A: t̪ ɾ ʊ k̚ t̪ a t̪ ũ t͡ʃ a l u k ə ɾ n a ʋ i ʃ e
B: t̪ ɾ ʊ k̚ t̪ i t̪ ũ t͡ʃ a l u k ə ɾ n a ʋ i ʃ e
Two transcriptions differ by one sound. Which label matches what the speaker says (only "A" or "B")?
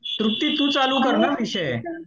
B